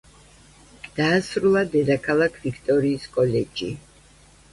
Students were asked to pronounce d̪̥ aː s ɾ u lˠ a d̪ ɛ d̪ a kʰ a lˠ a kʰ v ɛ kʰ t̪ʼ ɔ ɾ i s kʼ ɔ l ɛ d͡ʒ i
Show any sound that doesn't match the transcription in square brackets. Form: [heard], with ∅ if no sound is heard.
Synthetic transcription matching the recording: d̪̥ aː s ɾ u lˠ a d̪ ɛ d̪ a kʰ a lˠ a kʰ v [i] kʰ t̪ʼ ɔ ɾ [iː] s kʼ ɔ l ɛ d͡ʒ i

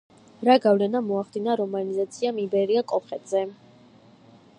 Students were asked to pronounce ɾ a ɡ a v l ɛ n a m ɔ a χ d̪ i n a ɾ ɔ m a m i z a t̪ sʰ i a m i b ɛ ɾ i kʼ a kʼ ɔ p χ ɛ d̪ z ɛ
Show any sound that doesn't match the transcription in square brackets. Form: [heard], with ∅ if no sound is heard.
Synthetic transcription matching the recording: ɾ a ɡ a v l ɛ n a m ɔ a χ d̪ i n a ɾ ɔ m a [n] i z a t̪ sʰ i a m i b ɛ ɾ i [∅] a kʼ ɔ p χ ɛ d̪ z ɛ

